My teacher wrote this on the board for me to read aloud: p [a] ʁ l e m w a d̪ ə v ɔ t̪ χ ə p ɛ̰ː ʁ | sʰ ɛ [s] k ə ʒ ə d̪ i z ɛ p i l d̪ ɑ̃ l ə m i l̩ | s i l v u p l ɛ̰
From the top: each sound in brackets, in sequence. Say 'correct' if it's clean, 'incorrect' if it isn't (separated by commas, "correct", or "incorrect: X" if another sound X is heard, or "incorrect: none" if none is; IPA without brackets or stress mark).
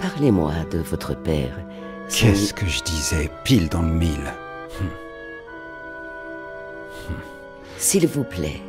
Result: correct, correct